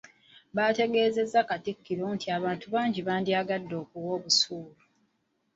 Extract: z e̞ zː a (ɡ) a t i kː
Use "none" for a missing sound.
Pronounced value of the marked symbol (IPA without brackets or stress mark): k